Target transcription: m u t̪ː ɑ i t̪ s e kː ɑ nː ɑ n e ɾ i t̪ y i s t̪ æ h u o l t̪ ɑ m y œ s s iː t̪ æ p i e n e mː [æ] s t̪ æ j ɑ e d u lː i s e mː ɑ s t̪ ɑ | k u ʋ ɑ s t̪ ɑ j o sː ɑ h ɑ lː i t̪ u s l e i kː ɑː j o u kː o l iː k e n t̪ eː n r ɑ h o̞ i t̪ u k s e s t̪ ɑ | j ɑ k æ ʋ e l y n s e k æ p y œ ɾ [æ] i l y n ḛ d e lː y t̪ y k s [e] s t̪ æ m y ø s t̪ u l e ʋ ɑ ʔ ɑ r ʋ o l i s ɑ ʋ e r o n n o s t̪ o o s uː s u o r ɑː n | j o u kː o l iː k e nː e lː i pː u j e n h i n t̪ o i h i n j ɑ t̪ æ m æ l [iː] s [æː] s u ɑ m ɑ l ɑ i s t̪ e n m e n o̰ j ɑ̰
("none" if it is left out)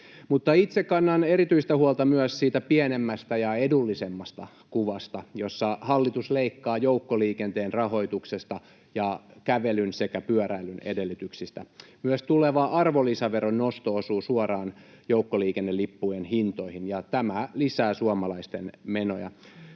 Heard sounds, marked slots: æ, æ, i, i, æː

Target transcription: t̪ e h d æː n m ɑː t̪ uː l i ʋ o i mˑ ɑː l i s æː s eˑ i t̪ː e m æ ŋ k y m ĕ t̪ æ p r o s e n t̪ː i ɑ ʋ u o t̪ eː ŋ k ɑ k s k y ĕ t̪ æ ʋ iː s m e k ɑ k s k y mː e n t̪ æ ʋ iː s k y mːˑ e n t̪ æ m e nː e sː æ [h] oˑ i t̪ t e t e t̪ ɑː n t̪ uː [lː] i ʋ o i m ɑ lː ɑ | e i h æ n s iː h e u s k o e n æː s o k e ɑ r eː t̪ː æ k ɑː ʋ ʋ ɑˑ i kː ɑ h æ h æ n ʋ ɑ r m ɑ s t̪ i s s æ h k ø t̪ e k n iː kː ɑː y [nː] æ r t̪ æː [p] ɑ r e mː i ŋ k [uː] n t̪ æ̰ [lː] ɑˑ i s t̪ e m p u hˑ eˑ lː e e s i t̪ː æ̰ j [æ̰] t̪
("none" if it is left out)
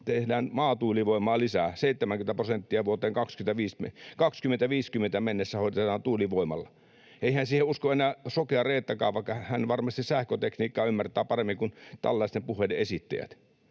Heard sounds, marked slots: h, l, mː, p, u, lː, æ̰

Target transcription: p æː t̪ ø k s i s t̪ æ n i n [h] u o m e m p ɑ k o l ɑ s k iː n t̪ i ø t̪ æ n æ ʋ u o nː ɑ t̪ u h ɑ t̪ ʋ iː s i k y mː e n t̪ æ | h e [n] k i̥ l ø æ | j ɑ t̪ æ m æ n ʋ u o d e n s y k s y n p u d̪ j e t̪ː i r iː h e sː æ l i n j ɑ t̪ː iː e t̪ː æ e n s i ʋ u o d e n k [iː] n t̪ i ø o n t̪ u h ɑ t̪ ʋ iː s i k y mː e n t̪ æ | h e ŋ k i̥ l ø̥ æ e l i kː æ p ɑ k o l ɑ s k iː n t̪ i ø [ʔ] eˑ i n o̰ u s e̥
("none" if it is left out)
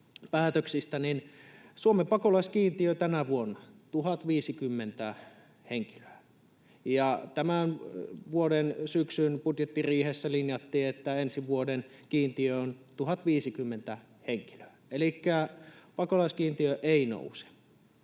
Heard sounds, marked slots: s, ŋ, iː, ʔ

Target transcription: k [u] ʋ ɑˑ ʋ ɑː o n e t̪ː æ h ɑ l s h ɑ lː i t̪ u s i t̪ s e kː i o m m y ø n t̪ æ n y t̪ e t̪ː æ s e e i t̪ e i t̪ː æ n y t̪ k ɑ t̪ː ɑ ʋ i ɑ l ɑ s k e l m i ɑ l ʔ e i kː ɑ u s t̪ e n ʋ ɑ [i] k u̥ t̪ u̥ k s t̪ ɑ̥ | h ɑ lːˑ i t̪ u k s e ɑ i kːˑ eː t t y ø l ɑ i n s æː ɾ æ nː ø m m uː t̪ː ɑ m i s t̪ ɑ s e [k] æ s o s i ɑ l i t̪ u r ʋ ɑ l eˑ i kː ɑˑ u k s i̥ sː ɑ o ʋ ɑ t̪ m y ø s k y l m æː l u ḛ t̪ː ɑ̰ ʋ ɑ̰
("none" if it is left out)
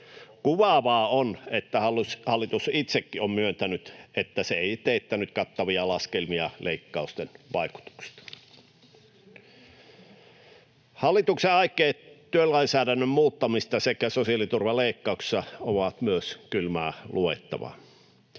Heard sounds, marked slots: u, i, k

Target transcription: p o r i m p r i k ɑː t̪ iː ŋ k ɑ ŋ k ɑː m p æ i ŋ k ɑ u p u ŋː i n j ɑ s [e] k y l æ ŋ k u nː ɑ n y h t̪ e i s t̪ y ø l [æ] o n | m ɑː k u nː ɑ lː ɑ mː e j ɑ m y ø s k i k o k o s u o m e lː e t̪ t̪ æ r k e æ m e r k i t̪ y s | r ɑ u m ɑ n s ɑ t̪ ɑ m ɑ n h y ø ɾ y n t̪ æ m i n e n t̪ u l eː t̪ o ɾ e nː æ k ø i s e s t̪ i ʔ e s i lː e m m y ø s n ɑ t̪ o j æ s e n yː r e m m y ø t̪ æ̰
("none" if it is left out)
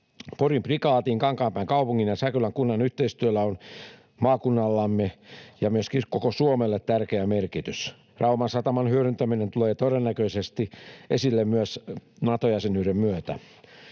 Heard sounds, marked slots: æ, æ

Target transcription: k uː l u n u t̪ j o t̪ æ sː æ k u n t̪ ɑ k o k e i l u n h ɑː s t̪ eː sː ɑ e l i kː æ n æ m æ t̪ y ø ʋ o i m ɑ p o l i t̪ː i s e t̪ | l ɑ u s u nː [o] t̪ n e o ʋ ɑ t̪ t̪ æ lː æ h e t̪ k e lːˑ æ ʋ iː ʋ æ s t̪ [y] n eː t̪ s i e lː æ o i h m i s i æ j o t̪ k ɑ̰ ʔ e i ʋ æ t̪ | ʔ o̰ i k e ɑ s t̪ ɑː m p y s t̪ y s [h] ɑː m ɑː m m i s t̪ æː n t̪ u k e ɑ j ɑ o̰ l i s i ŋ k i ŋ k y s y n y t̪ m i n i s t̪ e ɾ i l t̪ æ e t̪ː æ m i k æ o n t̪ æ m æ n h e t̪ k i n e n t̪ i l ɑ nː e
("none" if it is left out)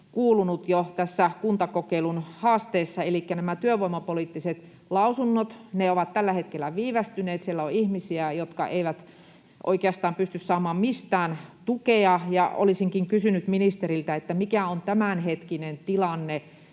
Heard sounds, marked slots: o, y, s

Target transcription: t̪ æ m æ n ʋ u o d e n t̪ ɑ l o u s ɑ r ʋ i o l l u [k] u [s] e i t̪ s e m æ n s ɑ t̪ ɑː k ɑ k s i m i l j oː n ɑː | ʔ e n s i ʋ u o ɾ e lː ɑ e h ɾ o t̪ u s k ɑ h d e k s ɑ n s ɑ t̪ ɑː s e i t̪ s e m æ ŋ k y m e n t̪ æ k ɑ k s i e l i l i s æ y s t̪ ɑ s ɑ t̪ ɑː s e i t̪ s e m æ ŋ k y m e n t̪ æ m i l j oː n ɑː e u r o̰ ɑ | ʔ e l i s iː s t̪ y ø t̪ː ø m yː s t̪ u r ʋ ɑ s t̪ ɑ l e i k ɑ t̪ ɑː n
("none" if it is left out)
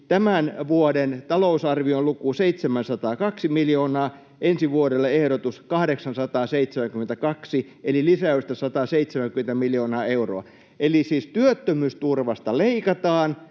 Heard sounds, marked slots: k, s

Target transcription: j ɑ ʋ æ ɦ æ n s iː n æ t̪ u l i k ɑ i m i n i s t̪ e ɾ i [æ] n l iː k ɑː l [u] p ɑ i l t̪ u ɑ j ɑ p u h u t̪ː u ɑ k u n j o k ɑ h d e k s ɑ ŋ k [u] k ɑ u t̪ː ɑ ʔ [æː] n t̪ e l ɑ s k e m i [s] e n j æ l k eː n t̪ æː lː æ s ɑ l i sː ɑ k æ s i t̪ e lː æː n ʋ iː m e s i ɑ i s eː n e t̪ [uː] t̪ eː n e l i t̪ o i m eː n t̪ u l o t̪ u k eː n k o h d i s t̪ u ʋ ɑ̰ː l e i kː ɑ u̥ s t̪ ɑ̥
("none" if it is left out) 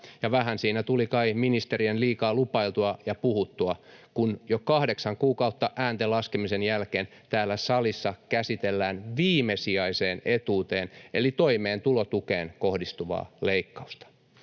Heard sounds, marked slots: e, u, uː, æː, s, uː

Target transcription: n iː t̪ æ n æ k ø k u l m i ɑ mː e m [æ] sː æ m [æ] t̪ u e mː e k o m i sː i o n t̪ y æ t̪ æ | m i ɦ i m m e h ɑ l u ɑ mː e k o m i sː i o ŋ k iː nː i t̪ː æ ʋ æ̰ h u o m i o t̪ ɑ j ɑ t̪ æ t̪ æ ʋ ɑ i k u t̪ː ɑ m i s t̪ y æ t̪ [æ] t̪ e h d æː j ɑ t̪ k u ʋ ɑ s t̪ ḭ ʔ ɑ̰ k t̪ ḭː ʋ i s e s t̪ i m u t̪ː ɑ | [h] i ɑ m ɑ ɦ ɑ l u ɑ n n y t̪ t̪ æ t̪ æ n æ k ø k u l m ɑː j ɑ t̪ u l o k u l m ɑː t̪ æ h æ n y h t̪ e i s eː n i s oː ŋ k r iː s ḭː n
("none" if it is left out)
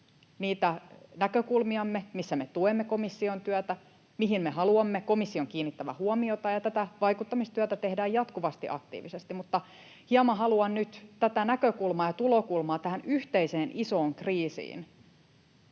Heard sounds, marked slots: i, e, æ, h

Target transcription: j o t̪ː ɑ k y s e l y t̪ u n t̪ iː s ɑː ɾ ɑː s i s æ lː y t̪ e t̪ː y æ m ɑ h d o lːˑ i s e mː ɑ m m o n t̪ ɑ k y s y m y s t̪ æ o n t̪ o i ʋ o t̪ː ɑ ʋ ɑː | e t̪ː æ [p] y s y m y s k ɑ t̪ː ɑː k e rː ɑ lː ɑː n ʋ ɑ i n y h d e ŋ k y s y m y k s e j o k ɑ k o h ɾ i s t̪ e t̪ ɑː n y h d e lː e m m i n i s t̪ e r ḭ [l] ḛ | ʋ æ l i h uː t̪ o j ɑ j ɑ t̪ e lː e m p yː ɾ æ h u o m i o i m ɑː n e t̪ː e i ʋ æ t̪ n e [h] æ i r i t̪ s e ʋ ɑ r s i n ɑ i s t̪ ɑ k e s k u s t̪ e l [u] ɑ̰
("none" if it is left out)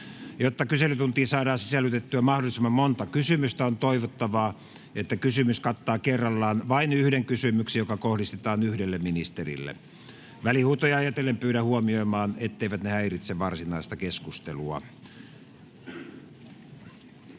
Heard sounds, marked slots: k, lː, h, u

